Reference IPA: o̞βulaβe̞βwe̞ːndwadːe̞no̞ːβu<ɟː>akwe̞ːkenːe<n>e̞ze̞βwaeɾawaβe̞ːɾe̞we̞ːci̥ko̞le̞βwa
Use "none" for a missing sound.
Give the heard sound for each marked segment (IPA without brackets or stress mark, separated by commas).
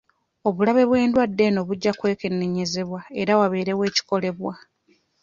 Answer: ɟː, ɲ